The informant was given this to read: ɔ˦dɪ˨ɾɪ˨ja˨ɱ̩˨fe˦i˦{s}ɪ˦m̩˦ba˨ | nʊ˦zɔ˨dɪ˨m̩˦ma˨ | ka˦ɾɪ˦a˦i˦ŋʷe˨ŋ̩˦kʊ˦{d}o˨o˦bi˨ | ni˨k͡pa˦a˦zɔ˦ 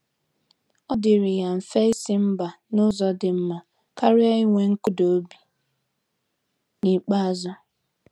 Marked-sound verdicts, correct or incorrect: correct, correct

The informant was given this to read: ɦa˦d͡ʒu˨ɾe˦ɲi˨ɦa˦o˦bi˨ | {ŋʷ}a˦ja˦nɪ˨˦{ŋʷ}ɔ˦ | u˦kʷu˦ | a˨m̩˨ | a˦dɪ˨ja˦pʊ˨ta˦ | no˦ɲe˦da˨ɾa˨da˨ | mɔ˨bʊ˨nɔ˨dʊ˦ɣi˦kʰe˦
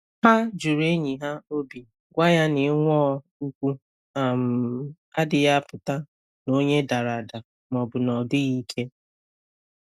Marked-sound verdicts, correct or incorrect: incorrect, correct

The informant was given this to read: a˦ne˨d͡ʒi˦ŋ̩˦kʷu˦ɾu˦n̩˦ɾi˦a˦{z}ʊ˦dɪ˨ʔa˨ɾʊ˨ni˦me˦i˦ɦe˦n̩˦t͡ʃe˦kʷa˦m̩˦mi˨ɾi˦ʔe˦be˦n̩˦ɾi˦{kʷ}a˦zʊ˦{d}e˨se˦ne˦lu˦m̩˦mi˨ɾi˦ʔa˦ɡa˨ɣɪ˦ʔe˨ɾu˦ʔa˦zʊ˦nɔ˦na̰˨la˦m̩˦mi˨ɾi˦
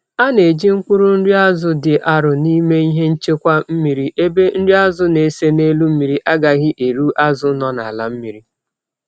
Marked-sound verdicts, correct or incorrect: correct, incorrect, incorrect

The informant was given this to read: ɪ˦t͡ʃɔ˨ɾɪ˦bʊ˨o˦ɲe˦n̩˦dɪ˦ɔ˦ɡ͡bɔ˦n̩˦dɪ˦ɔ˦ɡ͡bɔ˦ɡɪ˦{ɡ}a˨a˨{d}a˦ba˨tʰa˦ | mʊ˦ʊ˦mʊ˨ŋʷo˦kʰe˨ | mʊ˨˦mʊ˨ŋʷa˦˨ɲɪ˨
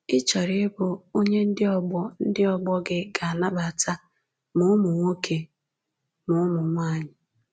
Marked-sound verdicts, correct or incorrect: correct, incorrect

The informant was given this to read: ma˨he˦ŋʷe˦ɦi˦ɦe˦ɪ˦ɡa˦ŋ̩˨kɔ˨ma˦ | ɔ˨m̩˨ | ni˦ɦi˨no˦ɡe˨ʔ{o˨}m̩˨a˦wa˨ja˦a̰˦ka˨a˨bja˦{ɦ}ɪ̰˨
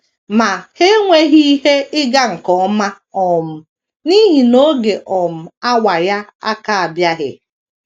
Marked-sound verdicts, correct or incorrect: incorrect, correct

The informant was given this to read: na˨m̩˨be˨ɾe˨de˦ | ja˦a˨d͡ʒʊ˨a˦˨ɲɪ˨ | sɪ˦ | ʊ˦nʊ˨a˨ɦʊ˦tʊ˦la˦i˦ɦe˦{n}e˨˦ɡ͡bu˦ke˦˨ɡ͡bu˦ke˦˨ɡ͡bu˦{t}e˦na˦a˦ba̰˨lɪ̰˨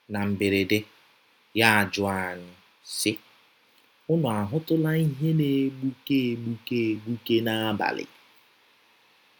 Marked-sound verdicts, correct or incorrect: correct, incorrect

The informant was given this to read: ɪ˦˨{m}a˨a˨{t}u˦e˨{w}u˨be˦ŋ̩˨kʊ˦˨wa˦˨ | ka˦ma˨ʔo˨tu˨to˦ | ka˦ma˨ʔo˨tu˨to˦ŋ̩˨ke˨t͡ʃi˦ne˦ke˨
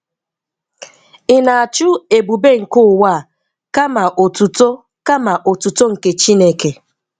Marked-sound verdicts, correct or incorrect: incorrect, incorrect, incorrect

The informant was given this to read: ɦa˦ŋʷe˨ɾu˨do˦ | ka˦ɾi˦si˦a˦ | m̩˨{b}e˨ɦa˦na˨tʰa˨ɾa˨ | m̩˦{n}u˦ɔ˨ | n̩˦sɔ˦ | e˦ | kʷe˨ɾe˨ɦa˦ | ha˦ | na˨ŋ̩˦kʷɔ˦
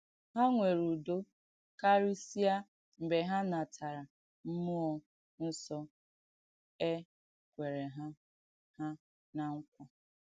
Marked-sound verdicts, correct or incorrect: correct, incorrect

